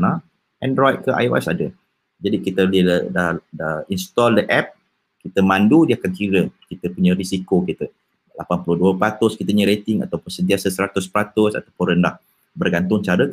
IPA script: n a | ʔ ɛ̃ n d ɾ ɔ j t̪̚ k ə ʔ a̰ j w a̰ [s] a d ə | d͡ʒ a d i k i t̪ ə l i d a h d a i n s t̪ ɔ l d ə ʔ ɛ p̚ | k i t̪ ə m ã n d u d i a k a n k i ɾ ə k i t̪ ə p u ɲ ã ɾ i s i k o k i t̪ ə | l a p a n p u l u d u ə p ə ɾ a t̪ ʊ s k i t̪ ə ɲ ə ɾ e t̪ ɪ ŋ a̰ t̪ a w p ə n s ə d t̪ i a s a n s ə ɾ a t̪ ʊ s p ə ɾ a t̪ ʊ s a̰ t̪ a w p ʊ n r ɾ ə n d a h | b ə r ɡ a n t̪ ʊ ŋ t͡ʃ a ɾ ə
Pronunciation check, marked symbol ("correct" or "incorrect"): correct